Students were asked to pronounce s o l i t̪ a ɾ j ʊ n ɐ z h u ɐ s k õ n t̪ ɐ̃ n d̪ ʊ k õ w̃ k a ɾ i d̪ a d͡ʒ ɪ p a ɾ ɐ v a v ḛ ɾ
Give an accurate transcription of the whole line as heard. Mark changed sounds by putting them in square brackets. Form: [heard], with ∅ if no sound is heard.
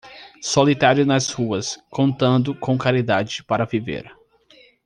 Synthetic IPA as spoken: s o l i t̪ a ɾ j ʊ n ɐ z h u ɐ s k õ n t̪ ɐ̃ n d̪ ʊ k õ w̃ k a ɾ i d̪ a d͡ʒ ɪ p a ɾ ɐ v [i] v ḛ ɾ